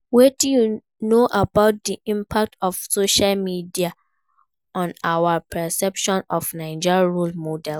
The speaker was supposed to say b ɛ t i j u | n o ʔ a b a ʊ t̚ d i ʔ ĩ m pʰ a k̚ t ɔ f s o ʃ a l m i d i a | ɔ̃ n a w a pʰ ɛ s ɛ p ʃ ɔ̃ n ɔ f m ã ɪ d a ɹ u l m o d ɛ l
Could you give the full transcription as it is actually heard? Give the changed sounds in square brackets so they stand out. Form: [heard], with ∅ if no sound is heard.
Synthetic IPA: [w] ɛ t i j u | n o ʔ a b a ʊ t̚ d i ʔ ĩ m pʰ a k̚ t ɔ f s o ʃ a l m i d i a | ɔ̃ n a w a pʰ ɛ s ɛ p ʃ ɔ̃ n ɔ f [n] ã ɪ [d͡ʒ] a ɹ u l m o d ɛ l